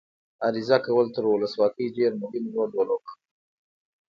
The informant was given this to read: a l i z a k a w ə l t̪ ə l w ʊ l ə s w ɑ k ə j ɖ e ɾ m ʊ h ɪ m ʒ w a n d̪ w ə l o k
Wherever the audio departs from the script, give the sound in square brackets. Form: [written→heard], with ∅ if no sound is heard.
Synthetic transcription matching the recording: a [l→ɾ] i z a k a w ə l t̪ ə [l→ɾ] w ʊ l ə s w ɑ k ə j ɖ e ɾ m ʊ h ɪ m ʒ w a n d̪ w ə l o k